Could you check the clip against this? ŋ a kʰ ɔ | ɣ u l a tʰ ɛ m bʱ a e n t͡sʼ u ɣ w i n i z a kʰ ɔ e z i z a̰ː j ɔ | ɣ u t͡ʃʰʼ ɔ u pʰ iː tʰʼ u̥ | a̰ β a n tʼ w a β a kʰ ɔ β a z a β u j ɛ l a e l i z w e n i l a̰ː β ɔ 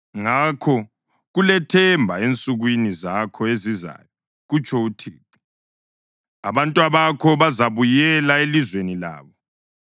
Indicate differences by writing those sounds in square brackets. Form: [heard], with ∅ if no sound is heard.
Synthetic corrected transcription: ŋ a kʰ ɔ | ɣ u l [ɛ] tʰ ɛ m bʱ a e n t͡sʼ u ɣ w i n i z a kʰ ɔ e z i z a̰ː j ɔ | ɣ u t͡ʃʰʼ ɔ u [tʰ] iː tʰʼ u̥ | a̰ β a n tʼ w a β a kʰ ɔ β a z a β u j ɛ l a e l i z w e n i l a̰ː β ɔ